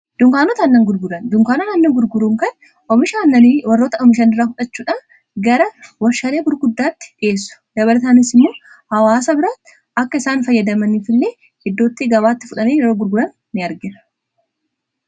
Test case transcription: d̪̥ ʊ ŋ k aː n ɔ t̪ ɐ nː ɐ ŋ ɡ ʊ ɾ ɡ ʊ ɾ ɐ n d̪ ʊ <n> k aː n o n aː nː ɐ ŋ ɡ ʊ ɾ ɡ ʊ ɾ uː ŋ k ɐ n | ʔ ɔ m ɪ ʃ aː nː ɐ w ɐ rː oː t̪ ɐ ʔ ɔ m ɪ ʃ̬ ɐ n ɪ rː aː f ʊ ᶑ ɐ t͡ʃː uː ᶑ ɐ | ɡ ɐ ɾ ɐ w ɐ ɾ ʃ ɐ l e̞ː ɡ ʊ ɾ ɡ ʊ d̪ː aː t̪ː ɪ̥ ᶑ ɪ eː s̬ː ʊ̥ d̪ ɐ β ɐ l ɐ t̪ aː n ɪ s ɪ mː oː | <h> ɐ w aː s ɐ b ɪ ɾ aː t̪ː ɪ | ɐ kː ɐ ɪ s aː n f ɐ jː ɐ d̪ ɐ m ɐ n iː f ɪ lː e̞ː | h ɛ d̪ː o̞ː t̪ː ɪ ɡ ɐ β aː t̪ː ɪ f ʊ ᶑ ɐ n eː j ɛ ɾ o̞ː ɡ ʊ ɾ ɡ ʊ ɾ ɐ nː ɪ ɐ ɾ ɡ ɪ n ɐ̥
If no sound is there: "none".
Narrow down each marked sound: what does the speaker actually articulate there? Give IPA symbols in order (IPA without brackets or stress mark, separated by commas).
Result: ŋ, h